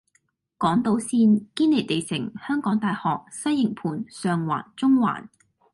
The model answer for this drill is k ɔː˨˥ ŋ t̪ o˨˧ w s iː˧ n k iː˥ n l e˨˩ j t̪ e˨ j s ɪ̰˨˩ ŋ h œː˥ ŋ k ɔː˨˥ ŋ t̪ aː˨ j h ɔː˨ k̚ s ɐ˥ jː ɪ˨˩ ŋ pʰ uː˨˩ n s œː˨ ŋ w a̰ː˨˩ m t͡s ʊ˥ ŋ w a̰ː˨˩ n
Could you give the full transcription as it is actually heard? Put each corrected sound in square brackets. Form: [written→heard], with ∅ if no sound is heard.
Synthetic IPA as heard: k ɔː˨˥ ŋ t̪ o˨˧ w s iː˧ n k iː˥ n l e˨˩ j t̪ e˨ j s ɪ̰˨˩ ŋ h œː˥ ŋ k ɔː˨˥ ŋ t̪ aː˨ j h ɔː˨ k̚ s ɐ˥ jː ɪ˨˩ ŋ pʰ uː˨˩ n s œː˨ ŋ w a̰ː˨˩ [m→n] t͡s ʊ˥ ŋ w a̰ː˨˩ n